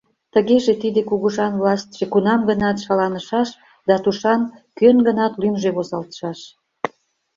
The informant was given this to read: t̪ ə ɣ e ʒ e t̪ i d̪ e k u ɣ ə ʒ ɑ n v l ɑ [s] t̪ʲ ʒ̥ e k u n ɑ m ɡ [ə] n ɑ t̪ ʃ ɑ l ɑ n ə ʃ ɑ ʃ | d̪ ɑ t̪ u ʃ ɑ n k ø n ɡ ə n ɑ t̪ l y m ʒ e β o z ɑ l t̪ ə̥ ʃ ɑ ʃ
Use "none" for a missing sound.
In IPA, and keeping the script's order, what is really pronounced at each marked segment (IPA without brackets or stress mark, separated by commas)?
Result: s, ə